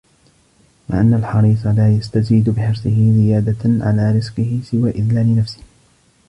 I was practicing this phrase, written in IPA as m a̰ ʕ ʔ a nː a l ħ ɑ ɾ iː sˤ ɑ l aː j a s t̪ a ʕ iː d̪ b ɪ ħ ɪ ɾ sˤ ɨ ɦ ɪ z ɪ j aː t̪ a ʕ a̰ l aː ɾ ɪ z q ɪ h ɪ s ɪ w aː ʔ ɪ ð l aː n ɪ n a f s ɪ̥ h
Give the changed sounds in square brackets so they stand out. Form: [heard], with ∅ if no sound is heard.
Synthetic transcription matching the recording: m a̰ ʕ ʔ a nː a l ħ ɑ ɾ iː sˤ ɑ l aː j a s t̪ a [z] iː d̪ b ɪ ħ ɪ ɾ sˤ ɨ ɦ ɪ z ɪ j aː [d̪] a ʕ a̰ l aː ɾ ɪ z q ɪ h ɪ s ɪ w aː ʔ ɪ ð l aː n ɪ n a f s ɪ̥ h

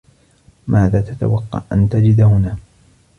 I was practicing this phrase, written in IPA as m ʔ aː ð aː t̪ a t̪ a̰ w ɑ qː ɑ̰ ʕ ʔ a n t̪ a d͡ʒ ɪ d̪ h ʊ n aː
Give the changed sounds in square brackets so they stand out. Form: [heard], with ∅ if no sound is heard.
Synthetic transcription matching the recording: m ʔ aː ð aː t̪ a t̪ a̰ w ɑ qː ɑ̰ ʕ ʔ a n t̪ a d͡ʒ ɪ d̪ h ʊ n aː

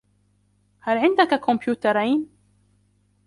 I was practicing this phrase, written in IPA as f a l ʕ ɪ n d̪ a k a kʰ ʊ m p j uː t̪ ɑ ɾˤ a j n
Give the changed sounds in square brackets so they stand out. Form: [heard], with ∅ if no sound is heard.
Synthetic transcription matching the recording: [h] a l ʕ ɪ n d̪ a k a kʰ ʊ m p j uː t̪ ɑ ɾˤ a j n

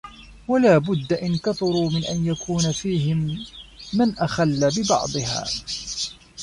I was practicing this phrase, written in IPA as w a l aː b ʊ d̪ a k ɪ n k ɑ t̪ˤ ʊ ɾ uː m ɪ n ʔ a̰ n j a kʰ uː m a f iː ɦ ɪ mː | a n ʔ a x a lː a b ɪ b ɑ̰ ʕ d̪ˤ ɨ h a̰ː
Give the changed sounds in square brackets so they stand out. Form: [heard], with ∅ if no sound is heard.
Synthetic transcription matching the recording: w a l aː b ʊ [d̪ː] a [ʔ] ɪ n k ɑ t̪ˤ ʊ ɾ uː m ɪ n ʔ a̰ n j a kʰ uː [n] a f iː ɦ ɪ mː | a n ʔ a x a lː a b ɪ b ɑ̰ ʕ d̪ˤ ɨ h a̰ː

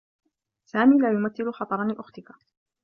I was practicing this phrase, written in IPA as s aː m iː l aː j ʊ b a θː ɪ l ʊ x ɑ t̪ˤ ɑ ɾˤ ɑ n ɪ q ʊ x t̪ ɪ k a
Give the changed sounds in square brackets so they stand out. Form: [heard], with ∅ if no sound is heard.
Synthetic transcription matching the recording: s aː m iː l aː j ʊ [m] a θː ɪ l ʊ x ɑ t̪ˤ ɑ ɾˤ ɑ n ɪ [ʔ] ʊ x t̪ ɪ k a

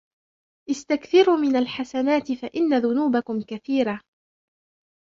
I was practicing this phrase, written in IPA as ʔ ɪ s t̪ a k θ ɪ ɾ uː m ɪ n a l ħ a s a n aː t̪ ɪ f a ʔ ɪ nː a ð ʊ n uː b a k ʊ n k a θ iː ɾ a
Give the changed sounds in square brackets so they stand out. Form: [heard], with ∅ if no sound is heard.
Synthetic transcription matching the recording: ʔ ɪ s t̪ a k θ ɪ ɾ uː m ɪ n a l ħ a s a n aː t̪ ɪ f a ʔ ɪ nː a ð ʊ n uː b a k ʊ [m] k a θ iː ɾ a

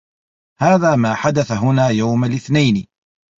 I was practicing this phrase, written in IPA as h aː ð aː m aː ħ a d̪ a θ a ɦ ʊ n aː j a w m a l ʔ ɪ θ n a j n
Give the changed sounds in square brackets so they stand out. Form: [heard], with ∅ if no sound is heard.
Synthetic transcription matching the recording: h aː ð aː m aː ħ a d̪ a θ a ɦ ʊ n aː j a w m a l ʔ ɪ θ n a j n

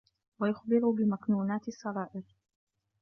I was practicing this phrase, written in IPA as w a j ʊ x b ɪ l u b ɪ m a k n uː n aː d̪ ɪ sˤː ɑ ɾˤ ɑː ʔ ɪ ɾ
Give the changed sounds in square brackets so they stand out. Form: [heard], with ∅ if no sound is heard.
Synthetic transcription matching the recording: w a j ʊ x b ɪ [ɾ] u b ɪ m a k n uː n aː [t̪] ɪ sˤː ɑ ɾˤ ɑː ʔ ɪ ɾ

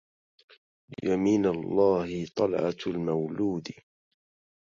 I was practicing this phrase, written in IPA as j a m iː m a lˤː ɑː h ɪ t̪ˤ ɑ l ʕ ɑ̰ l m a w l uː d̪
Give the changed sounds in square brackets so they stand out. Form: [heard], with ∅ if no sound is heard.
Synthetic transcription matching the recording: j a m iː [n] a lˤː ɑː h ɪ t̪ˤ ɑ l ʕ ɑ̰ l m a w l uː d̪

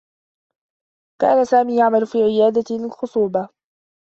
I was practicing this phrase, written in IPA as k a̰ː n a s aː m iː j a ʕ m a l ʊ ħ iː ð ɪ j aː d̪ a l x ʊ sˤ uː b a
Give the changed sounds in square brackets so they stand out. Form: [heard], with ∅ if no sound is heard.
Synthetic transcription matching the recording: k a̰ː n a s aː m iː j a ʕ m a l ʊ [f] iː [ʕ] ɪ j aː d̪ a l x ʊ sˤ uː b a

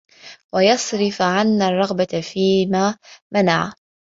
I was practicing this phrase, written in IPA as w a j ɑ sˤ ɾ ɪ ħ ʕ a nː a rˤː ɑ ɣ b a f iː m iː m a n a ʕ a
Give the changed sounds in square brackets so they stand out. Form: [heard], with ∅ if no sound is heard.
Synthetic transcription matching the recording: w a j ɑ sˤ ɾ ɪ [f] ʕ a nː a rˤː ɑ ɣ b a f iː m [aː] m a n a ʕ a

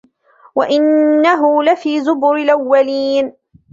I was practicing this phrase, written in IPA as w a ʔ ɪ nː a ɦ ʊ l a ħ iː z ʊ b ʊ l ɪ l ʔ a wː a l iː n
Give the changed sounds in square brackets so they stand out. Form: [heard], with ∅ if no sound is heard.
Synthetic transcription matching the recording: w a ʔ ɪ nː a ɦ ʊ l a [f] iː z ʊ b ʊ [ɾ] ɪ l ʔ a wː a l iː n

